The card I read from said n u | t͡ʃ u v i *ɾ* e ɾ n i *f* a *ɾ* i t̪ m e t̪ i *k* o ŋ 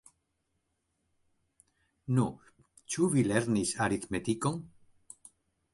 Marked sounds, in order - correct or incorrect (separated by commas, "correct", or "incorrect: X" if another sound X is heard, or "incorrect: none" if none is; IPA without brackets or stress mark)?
incorrect: l, incorrect: s, correct, correct